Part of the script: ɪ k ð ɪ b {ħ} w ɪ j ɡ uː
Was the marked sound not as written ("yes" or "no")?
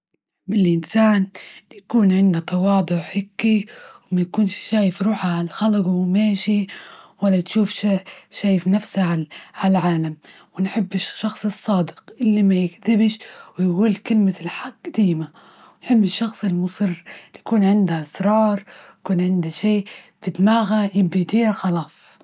yes